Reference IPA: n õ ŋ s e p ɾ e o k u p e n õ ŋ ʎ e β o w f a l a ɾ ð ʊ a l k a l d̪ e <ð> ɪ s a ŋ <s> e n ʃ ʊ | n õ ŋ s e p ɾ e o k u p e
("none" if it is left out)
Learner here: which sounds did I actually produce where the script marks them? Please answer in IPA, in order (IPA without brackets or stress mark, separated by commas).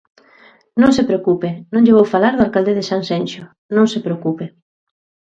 ð, s